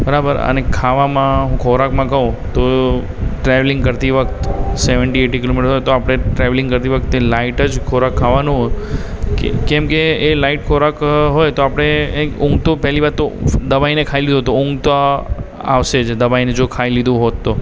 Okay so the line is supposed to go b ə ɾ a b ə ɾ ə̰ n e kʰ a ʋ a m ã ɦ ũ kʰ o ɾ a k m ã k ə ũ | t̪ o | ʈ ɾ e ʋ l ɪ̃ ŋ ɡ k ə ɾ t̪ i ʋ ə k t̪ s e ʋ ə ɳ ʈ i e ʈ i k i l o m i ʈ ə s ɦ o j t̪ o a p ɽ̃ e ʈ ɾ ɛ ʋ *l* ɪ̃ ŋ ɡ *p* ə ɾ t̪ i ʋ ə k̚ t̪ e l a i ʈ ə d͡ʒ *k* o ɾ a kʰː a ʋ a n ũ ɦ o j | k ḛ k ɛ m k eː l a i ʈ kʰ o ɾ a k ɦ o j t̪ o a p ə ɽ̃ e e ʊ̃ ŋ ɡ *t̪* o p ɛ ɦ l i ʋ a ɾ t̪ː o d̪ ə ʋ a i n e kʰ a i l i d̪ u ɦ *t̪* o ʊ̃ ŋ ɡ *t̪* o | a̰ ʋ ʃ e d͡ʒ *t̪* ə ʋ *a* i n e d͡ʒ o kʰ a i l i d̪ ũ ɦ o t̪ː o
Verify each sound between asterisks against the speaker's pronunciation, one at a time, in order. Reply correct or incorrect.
correct, incorrect, incorrect, correct, correct, correct, incorrect, correct

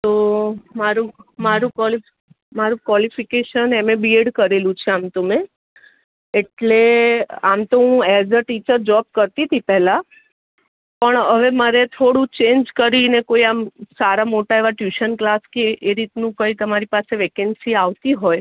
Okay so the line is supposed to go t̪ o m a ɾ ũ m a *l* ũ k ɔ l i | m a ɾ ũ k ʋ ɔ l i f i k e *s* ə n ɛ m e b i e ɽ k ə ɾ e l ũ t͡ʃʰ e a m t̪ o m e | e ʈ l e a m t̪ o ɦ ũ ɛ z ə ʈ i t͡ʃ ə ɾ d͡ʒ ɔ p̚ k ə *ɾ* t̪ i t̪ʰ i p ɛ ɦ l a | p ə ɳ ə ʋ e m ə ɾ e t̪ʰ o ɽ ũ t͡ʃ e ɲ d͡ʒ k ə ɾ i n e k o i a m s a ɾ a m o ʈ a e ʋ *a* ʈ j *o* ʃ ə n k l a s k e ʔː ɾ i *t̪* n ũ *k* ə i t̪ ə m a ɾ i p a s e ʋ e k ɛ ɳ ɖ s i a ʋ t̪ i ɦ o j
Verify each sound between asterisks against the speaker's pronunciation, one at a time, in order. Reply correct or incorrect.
incorrect, incorrect, correct, correct, incorrect, correct, correct

